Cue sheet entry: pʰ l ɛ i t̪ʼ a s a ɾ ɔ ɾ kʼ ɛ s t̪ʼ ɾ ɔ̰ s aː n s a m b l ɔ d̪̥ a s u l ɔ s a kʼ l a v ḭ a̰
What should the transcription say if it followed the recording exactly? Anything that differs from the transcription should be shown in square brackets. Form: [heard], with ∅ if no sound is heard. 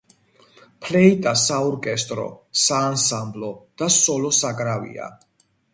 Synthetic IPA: pʰ l ɛ i t̪ʼ a s a [∅] ɔ ɾ kʼ ɛ s t̪ʼ ɾ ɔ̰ s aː n s a m b l ɔ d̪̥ a s [ɔ] l ɔ s a kʼ [ɾ] a v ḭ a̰